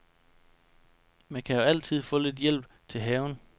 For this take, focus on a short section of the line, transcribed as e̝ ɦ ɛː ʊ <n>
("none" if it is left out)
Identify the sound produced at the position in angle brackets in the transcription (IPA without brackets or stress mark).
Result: n